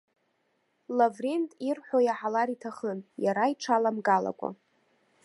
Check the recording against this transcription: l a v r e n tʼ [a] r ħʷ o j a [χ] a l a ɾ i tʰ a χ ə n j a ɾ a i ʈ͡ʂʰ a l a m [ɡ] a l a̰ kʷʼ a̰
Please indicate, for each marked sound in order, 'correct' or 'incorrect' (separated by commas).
incorrect, incorrect, correct